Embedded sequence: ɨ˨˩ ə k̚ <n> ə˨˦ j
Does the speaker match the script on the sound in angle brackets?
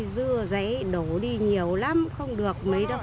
no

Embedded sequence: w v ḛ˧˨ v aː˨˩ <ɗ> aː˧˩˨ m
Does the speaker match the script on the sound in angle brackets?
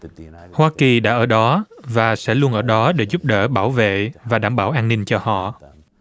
yes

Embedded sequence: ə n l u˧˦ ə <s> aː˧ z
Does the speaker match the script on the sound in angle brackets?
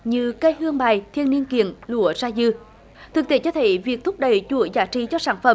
no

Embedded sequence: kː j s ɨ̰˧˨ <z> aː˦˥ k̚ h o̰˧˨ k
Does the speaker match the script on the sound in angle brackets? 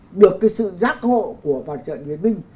yes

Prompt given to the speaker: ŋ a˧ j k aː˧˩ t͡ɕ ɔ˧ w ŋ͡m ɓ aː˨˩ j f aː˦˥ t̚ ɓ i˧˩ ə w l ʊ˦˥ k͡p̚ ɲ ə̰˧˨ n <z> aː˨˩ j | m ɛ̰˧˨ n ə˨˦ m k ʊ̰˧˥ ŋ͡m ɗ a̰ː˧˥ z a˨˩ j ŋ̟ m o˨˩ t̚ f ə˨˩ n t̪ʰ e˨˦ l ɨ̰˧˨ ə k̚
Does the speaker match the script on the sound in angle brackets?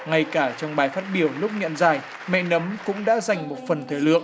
yes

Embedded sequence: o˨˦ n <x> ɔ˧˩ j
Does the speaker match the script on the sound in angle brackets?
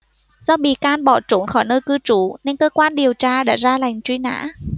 yes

